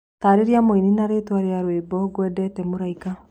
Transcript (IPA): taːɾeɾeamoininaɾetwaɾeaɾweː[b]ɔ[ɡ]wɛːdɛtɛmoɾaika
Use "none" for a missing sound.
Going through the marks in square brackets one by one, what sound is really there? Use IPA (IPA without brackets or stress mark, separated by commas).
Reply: b, ɡ